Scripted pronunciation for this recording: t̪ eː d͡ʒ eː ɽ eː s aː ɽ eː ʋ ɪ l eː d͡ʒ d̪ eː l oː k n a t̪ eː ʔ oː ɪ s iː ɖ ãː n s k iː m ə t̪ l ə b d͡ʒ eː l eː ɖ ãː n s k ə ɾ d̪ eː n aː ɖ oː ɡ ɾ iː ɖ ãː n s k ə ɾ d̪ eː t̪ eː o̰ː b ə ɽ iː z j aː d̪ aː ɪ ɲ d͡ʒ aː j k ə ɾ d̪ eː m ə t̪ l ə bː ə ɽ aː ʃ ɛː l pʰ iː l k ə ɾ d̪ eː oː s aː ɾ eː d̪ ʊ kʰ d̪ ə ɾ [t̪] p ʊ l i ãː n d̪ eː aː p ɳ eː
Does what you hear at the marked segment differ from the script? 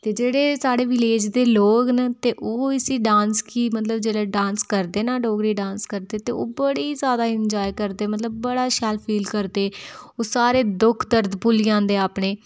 yes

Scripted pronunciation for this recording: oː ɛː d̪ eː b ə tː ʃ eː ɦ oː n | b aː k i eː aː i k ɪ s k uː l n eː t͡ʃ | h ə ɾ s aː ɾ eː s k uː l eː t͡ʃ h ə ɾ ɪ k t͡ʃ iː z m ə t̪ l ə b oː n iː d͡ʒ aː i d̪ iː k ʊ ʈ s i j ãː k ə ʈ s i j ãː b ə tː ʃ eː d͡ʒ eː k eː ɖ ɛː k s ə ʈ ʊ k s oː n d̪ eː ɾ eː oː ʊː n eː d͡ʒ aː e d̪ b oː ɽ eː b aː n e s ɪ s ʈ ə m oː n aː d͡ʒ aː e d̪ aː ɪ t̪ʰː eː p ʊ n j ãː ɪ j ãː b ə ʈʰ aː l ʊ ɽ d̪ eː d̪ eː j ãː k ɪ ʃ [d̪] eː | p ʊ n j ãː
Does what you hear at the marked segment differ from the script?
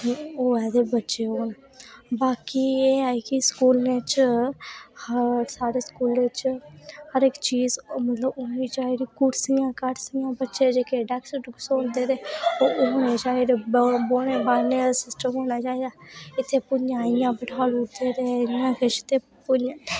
yes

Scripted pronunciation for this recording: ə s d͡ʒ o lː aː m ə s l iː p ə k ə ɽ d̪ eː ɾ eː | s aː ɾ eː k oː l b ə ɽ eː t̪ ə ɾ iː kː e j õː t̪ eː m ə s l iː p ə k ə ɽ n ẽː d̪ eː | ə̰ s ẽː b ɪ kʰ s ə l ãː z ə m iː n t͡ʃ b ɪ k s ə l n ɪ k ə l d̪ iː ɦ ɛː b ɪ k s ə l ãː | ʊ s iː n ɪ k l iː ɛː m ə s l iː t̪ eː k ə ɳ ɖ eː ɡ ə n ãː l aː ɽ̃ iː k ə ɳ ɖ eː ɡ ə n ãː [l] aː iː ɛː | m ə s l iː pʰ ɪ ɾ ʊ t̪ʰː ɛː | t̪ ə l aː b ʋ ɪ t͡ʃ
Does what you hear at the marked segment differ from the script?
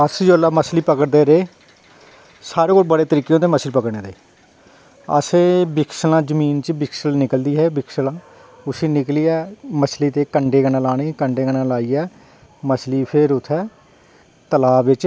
no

